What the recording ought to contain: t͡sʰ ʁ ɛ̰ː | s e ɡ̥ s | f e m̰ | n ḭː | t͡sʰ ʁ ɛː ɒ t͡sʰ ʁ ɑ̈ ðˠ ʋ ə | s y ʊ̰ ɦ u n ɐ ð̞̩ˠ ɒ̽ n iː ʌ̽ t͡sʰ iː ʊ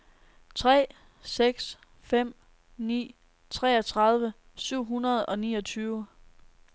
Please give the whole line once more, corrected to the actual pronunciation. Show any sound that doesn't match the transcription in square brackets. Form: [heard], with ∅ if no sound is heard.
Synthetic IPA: t͡sʰ ʁ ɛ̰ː | s e ɡ̥ s | f e m̰ | n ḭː | t͡sʰ ʁ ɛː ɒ t͡sʰ ʁ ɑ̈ ðˠ ʋ ə | s y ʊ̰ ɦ u n ɐ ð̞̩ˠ ɒ̽ n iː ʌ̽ t͡sʰ [yː] ʊ